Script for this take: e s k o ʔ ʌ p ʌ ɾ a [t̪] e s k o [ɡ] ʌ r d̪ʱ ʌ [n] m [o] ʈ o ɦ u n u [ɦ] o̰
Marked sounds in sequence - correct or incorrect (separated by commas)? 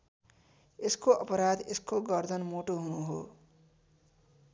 incorrect, correct, correct, correct, correct